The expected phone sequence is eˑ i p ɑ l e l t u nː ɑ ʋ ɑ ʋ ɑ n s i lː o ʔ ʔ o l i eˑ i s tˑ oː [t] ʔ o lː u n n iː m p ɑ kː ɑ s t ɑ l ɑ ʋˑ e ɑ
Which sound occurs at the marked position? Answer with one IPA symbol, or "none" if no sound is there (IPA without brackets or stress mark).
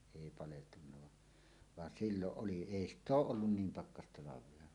ʔ